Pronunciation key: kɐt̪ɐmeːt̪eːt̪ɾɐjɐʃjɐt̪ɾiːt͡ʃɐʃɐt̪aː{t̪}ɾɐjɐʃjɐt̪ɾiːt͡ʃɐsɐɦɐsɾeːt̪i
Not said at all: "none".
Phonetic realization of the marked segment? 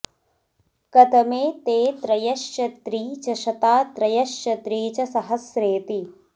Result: t̪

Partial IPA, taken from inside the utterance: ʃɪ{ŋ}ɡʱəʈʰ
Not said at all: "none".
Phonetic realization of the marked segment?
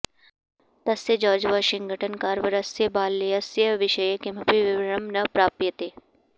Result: ŋ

